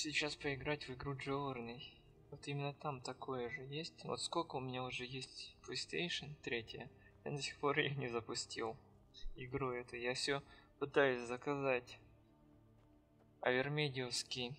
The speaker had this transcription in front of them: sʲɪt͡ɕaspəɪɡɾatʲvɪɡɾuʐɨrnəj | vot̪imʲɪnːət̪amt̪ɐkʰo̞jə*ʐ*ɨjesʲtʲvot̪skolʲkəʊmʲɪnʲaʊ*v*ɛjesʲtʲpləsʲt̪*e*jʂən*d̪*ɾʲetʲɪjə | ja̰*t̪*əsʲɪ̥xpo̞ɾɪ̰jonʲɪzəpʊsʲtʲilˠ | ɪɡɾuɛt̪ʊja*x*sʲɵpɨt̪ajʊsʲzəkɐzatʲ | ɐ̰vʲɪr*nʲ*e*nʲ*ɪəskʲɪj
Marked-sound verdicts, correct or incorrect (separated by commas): correct, incorrect, correct, incorrect, incorrect, incorrect, incorrect, incorrect